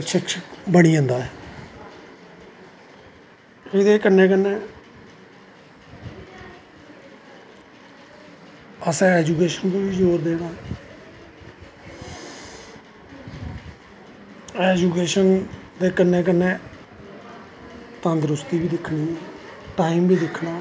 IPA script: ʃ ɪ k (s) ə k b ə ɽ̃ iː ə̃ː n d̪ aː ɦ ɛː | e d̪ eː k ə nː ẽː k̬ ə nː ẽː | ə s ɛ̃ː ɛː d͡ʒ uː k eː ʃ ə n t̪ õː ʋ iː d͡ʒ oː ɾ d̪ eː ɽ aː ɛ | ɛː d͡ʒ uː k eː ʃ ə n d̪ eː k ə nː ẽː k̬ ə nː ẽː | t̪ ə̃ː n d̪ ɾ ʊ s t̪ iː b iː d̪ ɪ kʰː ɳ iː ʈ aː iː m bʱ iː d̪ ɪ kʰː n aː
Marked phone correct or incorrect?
incorrect